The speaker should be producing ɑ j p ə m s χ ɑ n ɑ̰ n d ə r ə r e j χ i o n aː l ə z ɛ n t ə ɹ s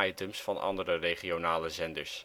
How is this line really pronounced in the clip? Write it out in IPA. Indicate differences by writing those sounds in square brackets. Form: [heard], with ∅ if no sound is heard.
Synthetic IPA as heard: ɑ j [t] ə m s [f] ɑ n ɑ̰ n d ə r ə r e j χ i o n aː l ə z ɛ n [d] ə ɹ s

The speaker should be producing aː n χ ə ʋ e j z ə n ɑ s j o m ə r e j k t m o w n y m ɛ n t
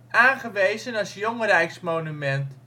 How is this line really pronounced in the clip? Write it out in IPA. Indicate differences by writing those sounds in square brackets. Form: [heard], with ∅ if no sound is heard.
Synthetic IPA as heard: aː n χ ə ʋ e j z ə n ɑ s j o [ŋ] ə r [ɛ] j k [s] m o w n y m ɛ n t

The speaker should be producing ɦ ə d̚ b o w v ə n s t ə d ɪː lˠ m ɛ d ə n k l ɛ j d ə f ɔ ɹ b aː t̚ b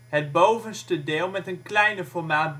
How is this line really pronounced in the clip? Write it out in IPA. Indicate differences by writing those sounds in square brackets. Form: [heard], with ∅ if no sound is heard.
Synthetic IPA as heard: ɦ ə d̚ b o w v ə n s t ə d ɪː lˠ m ɛ [t] ə n k l ɛ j [n] ə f ɔ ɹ [m] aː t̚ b

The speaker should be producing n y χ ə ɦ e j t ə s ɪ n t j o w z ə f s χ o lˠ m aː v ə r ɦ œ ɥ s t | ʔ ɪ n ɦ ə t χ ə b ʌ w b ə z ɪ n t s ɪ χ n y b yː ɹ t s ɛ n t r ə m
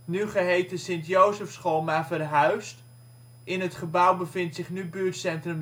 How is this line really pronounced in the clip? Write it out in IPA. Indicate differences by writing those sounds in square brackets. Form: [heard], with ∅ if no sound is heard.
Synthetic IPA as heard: n y χ ə ɦ e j t ə s ɪ n t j o w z ə f s χ o lˠ m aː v ə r ɦ œ ɥ s t | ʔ ɪ n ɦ ə t χ ə b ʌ w b ə [v] ɪ n t s ɪ χ n y b yː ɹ t s ɛ n t r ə m

